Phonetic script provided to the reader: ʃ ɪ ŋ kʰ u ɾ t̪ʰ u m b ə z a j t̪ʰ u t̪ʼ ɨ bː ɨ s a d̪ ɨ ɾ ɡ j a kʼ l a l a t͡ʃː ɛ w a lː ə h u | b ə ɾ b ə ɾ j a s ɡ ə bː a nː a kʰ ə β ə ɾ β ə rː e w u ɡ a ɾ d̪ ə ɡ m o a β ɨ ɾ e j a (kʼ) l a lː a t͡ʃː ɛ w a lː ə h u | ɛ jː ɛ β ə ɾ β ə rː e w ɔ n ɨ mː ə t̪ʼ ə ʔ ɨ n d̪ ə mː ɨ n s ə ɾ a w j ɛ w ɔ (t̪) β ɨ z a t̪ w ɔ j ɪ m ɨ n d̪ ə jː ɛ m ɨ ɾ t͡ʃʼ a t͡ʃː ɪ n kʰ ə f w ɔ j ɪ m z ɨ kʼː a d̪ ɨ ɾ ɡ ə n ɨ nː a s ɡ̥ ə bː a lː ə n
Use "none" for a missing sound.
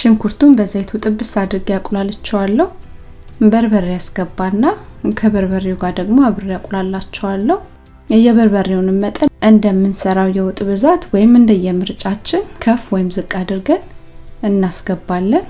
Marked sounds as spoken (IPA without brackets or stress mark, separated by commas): kʼ, t̪ʼ